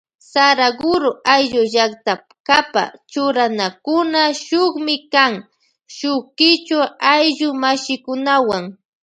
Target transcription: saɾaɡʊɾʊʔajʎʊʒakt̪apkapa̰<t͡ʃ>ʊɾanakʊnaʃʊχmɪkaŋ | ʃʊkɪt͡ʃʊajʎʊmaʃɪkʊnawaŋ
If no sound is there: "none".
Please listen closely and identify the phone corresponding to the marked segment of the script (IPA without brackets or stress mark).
t͡ʃ